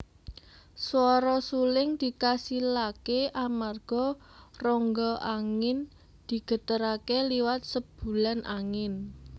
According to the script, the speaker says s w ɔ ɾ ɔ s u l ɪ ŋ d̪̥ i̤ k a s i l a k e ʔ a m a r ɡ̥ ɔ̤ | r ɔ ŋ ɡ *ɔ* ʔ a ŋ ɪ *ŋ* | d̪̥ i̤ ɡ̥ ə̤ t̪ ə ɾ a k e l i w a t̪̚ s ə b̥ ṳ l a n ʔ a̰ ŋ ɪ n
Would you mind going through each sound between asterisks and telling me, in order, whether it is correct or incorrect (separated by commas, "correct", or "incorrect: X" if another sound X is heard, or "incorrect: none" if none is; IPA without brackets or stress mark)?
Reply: correct, incorrect: n